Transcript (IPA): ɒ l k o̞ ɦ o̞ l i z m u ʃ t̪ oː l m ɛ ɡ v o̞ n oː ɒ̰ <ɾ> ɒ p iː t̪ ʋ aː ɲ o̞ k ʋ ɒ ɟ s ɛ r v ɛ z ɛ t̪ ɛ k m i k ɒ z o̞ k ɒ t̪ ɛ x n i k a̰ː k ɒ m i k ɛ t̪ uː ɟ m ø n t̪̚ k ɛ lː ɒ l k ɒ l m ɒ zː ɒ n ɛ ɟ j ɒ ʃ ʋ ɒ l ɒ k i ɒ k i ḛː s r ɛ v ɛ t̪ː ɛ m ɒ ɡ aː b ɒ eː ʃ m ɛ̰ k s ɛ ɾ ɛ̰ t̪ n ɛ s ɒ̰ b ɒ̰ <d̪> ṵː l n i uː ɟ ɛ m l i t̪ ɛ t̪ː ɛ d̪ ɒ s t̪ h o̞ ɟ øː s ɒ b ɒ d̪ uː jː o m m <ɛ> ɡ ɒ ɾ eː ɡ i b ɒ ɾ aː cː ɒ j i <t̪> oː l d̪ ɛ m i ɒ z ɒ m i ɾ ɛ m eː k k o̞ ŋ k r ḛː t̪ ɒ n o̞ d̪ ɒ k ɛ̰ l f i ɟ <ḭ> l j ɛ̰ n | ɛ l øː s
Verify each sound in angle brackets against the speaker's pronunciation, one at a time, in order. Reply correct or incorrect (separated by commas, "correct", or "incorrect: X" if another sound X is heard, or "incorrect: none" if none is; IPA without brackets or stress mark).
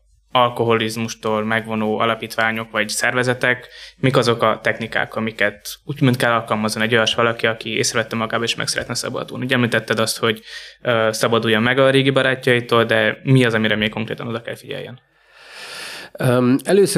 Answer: incorrect: l, correct, correct, correct, incorrect: ɛ̰